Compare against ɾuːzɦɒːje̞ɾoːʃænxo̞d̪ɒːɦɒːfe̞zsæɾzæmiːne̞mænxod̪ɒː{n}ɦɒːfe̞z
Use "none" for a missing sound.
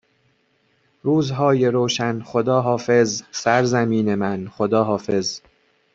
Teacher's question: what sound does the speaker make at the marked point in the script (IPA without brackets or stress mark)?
none